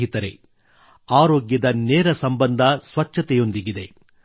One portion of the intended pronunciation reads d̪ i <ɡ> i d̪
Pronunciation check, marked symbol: correct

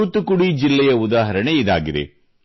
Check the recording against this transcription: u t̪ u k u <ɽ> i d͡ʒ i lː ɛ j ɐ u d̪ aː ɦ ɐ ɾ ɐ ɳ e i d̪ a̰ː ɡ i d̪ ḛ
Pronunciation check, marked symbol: correct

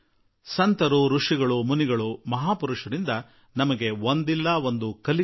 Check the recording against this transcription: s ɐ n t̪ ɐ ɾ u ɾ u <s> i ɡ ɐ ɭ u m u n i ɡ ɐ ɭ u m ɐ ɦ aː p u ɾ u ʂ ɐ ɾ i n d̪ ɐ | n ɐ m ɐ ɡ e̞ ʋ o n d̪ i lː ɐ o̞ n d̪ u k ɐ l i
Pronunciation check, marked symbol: incorrect: ʂ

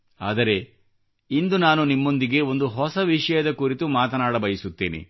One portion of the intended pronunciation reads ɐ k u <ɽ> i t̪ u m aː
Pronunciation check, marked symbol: incorrect: ɾ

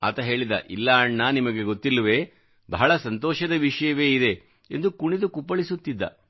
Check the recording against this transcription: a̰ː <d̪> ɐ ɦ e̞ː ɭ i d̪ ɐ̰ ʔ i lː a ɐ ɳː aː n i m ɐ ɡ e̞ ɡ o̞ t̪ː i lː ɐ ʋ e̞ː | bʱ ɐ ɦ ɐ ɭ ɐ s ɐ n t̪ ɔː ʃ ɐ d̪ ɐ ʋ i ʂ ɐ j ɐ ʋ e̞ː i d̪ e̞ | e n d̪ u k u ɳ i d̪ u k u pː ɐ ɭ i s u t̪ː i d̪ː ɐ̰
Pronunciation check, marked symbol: incorrect: t̪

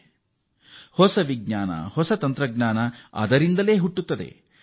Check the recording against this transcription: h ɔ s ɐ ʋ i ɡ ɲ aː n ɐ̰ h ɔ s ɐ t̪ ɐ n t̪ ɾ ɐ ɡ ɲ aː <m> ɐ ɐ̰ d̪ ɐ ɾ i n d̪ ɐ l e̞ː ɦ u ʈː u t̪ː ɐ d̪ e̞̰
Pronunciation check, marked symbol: incorrect: n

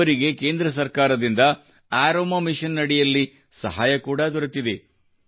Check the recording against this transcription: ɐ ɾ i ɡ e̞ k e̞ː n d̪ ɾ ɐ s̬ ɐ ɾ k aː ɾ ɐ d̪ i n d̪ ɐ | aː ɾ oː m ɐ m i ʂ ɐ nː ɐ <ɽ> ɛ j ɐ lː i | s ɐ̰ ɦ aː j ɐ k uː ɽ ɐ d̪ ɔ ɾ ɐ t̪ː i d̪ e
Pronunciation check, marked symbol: correct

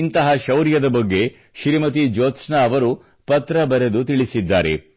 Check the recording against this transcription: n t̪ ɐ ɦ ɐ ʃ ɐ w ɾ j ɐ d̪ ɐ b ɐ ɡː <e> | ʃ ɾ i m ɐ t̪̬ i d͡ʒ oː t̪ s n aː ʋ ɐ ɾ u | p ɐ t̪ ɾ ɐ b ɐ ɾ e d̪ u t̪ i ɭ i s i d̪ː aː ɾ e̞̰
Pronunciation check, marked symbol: correct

